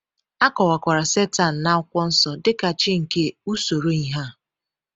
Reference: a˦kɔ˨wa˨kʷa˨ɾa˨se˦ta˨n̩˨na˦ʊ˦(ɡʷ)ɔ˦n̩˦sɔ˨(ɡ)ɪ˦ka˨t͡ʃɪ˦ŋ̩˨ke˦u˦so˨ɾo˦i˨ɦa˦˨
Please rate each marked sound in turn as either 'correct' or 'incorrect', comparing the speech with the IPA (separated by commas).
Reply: incorrect, incorrect